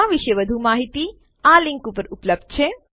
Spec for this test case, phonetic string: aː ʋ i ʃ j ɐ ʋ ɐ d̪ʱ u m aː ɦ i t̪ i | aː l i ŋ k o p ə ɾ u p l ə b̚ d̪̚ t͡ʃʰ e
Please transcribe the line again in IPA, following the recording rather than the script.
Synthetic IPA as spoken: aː ʋ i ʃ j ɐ ʋ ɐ d̪ʱ u m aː ɦ i t̪ i | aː l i ŋ k u p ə ɾ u p l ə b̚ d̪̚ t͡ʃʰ e